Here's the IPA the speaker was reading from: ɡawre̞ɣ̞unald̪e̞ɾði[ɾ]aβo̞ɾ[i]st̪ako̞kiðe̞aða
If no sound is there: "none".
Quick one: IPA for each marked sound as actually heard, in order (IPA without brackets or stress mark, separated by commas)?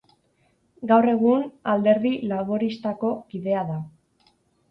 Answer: l, i